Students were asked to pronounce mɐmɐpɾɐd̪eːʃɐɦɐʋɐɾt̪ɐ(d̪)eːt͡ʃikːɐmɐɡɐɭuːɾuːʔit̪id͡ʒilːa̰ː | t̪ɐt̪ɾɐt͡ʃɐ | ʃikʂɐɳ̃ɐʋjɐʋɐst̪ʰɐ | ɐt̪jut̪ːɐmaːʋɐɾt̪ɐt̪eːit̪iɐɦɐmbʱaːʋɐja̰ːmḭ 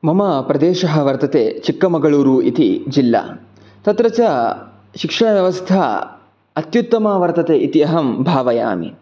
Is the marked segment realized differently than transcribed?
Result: yes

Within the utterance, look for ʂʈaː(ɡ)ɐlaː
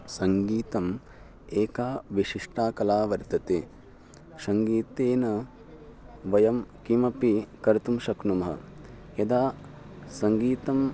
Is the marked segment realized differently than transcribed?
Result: yes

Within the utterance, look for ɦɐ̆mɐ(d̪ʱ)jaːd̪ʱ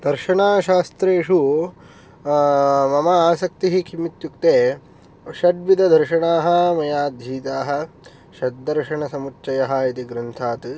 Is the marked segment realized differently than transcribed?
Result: yes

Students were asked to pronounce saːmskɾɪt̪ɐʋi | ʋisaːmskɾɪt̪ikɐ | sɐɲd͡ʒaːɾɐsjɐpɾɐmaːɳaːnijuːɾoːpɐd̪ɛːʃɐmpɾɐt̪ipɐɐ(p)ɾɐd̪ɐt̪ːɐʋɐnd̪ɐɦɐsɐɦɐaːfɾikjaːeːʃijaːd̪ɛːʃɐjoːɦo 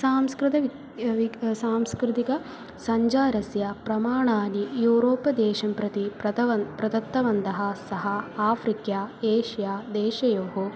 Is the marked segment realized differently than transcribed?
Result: no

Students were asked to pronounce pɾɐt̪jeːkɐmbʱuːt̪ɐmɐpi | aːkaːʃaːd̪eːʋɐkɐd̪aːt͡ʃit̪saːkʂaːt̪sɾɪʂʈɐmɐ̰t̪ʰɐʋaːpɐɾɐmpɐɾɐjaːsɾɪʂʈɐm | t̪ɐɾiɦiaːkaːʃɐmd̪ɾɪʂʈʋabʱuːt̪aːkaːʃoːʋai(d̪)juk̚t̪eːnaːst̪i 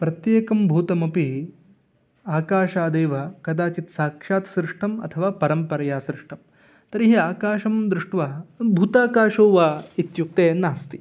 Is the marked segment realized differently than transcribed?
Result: yes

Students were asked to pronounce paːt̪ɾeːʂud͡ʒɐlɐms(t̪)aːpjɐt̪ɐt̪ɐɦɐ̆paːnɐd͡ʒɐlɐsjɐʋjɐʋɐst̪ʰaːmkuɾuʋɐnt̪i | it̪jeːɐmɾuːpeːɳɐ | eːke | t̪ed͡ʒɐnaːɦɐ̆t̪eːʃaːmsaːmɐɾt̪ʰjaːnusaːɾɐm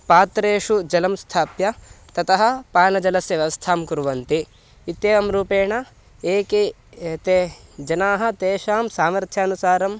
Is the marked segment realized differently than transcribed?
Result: yes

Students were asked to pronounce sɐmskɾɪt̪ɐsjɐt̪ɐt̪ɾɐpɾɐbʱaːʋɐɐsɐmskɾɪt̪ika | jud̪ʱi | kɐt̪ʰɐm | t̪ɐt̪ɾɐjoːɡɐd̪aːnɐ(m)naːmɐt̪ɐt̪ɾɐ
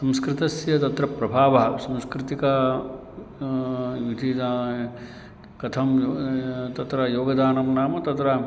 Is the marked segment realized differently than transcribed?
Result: no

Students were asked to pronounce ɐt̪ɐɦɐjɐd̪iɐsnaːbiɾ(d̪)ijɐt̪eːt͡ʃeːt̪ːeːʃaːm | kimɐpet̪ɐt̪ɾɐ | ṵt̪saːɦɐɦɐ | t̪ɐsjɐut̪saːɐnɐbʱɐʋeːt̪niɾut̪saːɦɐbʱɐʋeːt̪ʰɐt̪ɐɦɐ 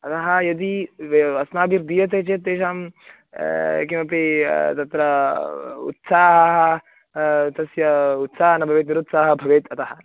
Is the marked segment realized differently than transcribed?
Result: no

